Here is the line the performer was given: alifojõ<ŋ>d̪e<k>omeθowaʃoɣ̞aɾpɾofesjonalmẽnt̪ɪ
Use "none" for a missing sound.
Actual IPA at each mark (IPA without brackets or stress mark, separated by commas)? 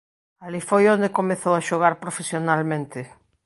n, k